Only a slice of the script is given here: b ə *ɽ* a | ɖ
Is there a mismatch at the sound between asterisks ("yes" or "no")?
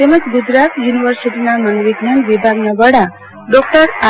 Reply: no